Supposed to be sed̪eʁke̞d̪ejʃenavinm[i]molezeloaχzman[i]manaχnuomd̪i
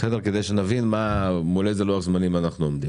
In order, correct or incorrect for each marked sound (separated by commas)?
incorrect, correct